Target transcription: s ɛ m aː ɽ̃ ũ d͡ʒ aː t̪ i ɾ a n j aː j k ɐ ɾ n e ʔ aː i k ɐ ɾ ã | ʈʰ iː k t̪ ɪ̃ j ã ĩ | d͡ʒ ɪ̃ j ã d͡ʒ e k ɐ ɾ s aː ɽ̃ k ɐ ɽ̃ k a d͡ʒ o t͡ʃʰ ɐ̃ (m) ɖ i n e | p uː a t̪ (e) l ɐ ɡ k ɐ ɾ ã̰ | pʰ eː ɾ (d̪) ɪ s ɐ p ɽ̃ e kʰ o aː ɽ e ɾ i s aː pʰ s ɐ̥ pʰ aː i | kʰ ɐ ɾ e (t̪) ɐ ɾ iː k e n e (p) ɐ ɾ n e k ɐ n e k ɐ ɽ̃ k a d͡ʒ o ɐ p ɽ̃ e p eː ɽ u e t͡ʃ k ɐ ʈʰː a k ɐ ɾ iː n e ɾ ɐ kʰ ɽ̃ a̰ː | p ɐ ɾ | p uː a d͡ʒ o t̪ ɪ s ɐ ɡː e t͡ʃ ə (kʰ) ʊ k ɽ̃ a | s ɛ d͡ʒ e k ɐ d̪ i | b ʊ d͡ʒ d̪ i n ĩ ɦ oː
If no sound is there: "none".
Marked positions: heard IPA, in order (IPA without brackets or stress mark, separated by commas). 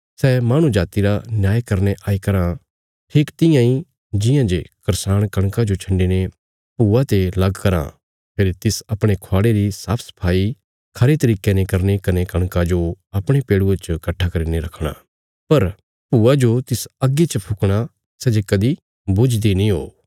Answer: ɳ, e, t̪, t̪, k, pʰ